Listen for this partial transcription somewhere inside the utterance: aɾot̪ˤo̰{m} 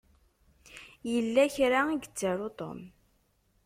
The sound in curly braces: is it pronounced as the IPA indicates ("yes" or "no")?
yes